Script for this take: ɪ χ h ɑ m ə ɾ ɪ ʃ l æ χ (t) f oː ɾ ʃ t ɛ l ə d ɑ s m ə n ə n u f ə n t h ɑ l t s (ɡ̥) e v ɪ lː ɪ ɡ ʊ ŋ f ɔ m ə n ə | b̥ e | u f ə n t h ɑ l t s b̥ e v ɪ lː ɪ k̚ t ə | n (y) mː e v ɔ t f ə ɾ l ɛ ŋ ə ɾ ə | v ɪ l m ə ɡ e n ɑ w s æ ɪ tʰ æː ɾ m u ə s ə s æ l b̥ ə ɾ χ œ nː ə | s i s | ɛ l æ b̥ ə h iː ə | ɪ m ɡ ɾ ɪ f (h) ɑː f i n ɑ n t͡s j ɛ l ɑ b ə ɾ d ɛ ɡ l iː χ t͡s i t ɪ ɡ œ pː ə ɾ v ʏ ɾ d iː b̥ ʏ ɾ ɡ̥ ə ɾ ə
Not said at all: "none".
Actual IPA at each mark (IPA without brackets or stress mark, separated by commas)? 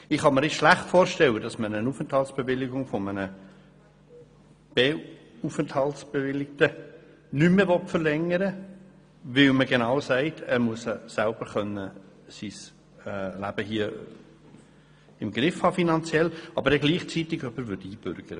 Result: t, b̥, y, h